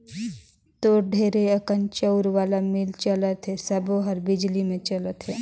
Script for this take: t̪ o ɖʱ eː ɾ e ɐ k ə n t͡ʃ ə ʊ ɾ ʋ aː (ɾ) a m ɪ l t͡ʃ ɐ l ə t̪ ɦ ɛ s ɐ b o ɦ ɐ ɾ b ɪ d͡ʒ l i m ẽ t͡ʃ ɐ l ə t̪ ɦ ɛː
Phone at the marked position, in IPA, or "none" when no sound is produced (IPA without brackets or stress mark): l